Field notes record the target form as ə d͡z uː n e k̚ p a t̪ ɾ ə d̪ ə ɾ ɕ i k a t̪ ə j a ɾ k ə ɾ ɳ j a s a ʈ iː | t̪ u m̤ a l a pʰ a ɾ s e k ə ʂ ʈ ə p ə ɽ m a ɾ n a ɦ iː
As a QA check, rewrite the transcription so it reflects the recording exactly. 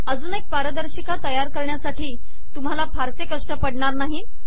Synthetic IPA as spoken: ə d͡z uː n e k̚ p a ɾ ə d̪ ə ɾ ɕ i k a t̪ ə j a ɾ k ə ɾ ɳ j a s a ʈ iː | t̪ u m̤ a l a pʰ a ɾ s e k ə ʂ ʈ ə p ə ɽ ɳ a ɾ n a ɦ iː